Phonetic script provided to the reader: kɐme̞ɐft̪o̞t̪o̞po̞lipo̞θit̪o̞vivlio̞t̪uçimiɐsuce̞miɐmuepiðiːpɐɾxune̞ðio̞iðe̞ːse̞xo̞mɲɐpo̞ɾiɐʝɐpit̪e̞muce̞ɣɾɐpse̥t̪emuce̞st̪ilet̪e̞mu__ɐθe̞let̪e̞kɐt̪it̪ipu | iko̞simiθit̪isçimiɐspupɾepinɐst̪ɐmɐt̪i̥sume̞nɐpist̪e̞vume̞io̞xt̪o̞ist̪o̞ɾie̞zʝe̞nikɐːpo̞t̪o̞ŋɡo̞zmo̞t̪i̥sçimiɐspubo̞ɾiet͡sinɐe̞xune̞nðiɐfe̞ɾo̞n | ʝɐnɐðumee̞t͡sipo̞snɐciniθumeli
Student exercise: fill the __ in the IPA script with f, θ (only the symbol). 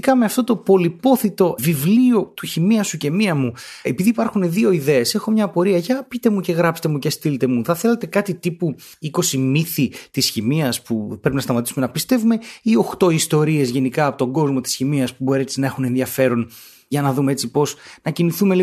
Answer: θ